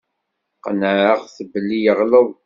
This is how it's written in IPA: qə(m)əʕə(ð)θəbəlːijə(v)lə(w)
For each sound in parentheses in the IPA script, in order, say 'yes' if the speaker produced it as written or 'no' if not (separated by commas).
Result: no, no, no, yes